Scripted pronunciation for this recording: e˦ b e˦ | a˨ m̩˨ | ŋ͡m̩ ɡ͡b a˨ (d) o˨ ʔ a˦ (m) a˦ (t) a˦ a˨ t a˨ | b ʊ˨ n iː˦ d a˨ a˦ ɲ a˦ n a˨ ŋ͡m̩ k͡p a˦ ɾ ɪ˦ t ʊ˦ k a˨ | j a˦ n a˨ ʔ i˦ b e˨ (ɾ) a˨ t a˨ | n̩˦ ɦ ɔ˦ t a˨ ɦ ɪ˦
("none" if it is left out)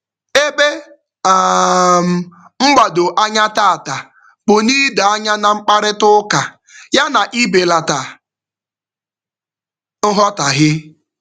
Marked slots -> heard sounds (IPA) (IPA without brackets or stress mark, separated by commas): d, ɲ, t, l